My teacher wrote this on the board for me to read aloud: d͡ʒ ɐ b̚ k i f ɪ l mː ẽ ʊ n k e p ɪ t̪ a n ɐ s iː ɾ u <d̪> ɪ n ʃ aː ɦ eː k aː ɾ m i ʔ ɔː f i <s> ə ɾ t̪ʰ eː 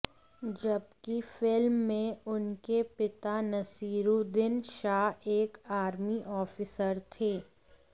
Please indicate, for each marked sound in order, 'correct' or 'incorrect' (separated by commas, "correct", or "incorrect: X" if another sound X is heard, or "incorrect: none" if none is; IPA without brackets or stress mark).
correct, correct